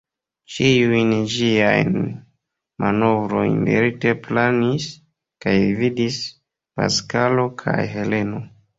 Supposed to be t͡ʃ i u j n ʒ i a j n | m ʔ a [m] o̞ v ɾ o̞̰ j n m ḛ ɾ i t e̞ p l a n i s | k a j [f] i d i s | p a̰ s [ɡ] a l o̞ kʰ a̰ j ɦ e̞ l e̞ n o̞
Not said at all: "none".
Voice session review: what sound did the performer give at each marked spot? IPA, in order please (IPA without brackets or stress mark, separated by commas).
n, v, k